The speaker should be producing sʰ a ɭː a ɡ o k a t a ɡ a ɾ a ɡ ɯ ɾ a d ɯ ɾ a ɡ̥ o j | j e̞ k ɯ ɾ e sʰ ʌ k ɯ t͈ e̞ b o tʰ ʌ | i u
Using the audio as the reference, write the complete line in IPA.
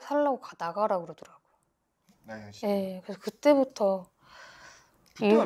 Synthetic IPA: sʰ a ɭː a ɡ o k a d a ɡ a ɾ a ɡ ɯ ɾ ʌ d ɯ ɾ a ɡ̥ o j | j e̞ k ɯ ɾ e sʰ ʌ k ɯ t͈ e̞ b u tʰ ʌ | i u